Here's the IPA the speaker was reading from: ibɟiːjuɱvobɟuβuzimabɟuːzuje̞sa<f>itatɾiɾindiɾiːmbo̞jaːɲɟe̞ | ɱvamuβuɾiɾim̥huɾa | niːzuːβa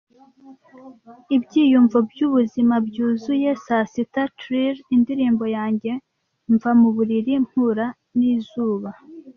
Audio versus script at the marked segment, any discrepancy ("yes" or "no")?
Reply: yes